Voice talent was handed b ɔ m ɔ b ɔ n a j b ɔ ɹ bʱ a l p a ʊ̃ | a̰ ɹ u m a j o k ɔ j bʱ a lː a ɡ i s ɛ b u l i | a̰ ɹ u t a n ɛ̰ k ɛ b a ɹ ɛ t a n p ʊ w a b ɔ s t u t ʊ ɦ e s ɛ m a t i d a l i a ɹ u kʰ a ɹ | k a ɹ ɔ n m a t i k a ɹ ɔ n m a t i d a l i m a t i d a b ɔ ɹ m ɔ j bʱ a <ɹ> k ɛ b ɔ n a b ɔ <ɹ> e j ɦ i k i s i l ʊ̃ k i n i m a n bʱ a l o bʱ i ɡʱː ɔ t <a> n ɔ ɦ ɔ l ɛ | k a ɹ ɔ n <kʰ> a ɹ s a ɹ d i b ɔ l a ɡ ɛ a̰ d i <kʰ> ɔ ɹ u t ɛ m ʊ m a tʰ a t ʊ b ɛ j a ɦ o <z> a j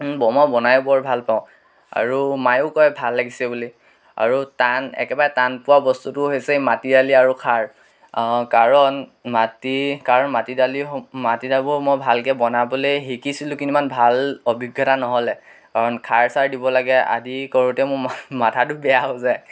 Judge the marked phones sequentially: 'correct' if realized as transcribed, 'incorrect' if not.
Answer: incorrect: l, incorrect: l, correct, correct, incorrect: k, correct

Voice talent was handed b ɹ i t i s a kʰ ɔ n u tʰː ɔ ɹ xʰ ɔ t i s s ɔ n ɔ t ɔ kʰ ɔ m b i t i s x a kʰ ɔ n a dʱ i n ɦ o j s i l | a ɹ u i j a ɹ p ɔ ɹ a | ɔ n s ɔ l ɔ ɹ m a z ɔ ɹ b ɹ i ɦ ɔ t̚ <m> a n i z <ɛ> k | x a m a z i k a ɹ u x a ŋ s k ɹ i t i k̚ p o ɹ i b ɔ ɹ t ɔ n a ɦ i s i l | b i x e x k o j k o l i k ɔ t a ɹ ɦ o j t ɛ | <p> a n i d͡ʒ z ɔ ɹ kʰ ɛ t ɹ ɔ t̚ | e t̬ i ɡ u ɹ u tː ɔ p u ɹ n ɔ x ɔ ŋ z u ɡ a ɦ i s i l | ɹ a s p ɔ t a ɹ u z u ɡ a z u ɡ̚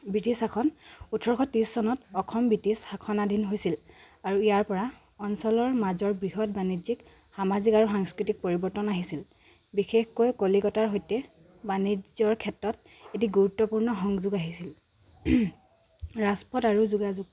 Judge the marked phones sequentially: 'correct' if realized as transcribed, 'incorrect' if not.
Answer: incorrect: b, incorrect: i, incorrect: b

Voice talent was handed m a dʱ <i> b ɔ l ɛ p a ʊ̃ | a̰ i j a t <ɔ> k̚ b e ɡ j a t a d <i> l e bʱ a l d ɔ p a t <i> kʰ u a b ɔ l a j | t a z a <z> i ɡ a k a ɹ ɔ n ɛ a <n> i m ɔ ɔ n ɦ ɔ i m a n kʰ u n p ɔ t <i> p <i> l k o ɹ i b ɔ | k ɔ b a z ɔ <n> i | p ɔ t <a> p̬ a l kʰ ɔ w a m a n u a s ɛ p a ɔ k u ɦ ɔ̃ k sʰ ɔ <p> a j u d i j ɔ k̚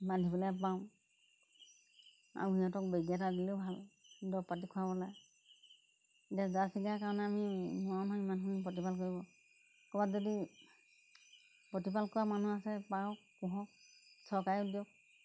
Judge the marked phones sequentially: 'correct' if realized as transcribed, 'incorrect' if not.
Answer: correct, correct, correct, correct, incorrect: s, incorrect: m, correct, incorrect: a, incorrect: d, incorrect: i, incorrect: k

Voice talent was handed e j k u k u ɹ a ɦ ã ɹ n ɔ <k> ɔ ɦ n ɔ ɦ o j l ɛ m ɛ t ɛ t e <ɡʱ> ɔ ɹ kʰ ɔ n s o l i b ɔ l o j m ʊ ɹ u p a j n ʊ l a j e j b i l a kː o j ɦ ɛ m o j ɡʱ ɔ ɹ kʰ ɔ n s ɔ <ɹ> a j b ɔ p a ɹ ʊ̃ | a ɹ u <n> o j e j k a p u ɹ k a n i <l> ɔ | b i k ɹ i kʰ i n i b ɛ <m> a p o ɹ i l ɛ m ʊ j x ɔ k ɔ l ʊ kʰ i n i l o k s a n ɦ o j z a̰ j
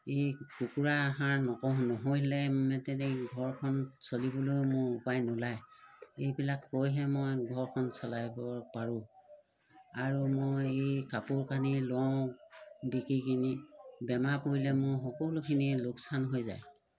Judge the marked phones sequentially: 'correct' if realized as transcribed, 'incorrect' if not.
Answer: correct, correct, incorrect: l, incorrect: m, correct, correct

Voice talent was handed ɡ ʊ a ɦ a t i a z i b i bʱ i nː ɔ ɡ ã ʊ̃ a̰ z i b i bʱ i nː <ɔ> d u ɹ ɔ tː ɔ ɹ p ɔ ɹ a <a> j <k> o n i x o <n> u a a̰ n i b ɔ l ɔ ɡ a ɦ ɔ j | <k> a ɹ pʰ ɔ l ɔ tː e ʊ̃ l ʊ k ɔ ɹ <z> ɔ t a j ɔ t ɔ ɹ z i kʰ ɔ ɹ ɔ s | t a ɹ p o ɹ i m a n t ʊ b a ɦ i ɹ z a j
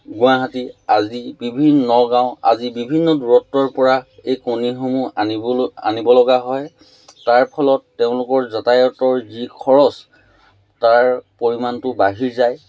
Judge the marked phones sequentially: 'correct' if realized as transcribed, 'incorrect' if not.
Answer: correct, incorrect: e, correct, incorrect: m, incorrect: t, correct

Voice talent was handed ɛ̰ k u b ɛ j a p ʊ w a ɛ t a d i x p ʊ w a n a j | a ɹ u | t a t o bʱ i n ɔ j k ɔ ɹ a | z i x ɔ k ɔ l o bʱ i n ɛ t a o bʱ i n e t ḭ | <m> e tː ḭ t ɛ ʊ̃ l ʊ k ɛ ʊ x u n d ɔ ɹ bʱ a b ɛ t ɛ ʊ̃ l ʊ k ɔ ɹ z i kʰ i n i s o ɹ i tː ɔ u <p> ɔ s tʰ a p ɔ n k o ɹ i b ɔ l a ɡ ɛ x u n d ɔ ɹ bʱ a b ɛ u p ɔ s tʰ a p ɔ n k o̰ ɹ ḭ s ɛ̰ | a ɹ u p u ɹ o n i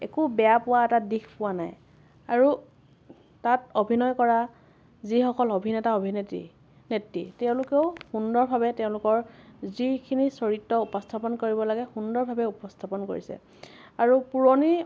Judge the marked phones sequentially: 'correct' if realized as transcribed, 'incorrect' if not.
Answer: incorrect: n, correct

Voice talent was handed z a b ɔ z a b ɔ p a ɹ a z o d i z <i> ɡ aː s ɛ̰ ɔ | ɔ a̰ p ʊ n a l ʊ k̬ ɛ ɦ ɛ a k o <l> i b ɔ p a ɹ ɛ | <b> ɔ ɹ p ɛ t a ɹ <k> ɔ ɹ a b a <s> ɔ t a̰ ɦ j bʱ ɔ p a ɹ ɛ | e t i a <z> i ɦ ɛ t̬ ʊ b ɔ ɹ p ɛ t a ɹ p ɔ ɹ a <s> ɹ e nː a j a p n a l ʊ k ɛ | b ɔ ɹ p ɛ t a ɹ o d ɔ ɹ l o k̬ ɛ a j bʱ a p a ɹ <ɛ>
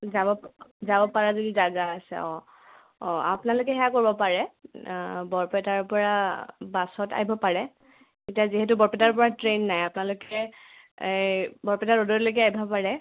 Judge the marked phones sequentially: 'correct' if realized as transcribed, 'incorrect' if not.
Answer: incorrect: a, incorrect: ɹ, correct, incorrect: p, correct, correct, incorrect: t, correct

